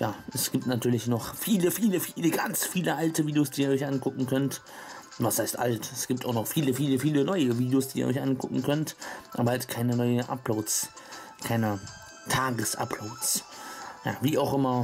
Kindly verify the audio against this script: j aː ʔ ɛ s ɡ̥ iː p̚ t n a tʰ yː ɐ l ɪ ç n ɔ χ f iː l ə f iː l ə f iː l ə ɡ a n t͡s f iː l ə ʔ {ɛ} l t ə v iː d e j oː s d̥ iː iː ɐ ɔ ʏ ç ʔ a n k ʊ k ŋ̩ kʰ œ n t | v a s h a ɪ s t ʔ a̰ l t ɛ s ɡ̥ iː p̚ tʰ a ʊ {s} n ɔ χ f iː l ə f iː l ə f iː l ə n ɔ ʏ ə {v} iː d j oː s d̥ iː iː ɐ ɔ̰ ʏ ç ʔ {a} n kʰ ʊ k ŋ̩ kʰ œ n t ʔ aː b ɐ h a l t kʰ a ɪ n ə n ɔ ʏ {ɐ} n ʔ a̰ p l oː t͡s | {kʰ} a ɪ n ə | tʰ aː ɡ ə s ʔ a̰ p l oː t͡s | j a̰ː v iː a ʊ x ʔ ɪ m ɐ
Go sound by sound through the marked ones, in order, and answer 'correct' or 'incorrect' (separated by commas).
incorrect, incorrect, correct, correct, incorrect, correct